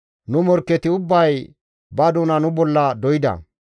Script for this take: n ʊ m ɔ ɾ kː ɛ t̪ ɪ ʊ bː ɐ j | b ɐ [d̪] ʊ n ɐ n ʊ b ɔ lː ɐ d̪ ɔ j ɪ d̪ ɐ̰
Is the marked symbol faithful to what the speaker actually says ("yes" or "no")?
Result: yes